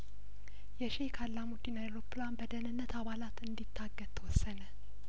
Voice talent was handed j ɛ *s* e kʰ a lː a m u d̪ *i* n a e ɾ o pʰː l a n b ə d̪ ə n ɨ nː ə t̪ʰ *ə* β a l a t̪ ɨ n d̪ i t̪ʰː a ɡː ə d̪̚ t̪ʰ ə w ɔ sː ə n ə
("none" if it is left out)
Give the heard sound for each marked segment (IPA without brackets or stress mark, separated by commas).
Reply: ʃ, i, a